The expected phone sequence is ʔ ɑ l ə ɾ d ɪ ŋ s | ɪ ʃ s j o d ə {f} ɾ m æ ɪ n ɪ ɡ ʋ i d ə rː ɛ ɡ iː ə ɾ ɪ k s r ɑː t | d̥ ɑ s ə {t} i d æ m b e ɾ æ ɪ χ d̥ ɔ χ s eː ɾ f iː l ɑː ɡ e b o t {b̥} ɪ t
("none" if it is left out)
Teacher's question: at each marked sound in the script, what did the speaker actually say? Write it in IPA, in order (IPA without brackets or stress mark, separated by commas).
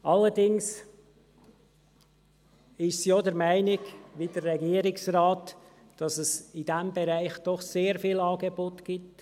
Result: none, s, ɡ̥